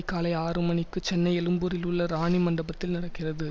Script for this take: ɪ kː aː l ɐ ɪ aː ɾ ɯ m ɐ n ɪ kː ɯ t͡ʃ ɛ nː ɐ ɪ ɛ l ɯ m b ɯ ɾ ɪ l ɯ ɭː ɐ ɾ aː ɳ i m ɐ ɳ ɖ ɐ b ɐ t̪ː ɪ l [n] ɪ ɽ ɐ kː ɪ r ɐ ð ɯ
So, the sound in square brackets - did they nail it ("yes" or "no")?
yes